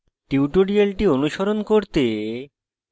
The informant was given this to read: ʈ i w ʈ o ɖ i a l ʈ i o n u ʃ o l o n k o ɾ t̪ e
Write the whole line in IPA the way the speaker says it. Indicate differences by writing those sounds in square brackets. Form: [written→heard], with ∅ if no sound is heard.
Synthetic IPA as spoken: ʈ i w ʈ o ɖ i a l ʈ i o n u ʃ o [l→ɾ] o n k o ɾ t̪ e